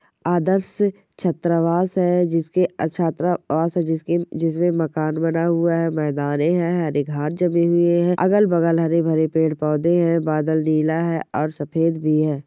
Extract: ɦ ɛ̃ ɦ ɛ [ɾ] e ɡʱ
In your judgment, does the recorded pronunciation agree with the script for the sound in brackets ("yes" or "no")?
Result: yes